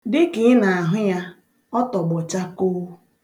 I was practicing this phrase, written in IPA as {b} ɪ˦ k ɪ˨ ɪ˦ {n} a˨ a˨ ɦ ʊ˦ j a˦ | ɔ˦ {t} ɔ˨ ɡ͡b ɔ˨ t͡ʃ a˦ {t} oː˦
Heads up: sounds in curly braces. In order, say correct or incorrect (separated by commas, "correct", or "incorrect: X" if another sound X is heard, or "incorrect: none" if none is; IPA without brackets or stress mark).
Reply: incorrect: d, correct, correct, incorrect: k